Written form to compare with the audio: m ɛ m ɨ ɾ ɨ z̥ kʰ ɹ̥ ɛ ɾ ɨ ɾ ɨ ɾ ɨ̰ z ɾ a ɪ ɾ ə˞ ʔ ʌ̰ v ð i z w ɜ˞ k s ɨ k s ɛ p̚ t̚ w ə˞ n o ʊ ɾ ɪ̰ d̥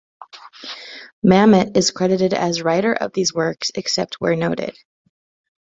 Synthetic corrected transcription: m æ m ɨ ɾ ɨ z̥ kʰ ɹ̥ ɛ ɾ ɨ ɾ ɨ ɾ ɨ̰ z ɹ a ɪ ɾ ə˞ ʔ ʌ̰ v ð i z w ɜ˞ k s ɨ k s ɛ p̚ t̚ w ə˞ n o ʊ ɾ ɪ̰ d̥